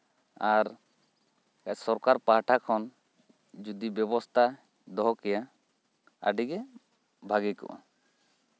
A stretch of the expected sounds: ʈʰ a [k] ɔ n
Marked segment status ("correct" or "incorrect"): incorrect